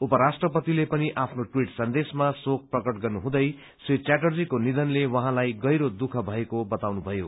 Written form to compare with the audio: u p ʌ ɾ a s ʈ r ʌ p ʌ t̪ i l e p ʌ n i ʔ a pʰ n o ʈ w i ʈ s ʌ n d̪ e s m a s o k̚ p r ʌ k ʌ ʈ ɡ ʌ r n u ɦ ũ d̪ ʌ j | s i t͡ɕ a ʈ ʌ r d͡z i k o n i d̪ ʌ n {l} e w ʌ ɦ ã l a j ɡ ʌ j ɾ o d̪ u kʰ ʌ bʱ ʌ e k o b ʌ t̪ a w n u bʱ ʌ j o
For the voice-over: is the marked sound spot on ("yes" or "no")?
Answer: yes